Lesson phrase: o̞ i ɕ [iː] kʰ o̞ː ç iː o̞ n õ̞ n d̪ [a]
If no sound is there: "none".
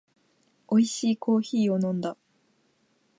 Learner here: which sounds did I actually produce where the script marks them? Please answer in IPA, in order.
iː, a

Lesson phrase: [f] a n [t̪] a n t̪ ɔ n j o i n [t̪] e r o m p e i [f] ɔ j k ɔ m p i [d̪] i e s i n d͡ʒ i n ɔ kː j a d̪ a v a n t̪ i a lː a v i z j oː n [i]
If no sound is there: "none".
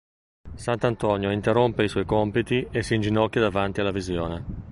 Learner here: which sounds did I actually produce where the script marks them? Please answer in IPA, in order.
s, t̪, t̪, s, t̪, e

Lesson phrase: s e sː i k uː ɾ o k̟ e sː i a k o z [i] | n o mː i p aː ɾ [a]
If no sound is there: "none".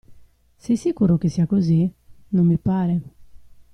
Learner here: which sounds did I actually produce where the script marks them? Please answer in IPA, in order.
i, e

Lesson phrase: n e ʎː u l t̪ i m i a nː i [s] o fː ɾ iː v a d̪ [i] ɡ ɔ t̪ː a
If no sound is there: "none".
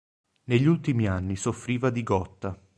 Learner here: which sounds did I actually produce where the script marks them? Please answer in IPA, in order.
s, i

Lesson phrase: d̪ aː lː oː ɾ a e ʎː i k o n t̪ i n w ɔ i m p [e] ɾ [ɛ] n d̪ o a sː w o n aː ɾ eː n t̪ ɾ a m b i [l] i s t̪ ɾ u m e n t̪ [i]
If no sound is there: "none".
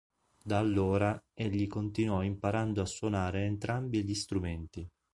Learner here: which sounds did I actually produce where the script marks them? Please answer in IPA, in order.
a, a, ʎ, i

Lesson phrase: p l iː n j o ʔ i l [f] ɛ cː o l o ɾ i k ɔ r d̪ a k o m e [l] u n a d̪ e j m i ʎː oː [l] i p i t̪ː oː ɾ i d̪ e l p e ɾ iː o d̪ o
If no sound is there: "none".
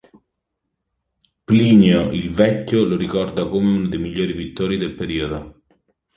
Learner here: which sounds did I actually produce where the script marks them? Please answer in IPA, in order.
v, none, ɾ

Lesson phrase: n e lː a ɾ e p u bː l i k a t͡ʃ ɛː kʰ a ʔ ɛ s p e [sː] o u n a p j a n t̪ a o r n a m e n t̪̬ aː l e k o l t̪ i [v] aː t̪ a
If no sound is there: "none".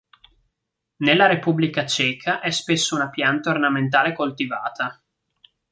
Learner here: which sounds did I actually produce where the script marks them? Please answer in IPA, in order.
sː, v

